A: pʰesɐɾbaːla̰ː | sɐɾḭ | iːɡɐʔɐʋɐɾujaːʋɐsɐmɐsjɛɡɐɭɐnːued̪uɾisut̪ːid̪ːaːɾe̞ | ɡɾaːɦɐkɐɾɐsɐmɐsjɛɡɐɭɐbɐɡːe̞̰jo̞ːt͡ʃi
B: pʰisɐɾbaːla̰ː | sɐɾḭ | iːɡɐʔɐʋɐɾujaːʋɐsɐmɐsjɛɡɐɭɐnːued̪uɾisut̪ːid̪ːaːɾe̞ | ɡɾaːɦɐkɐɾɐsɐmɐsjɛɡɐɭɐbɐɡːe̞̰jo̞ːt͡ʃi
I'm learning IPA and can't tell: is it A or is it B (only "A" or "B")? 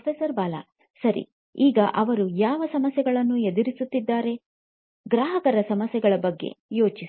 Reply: A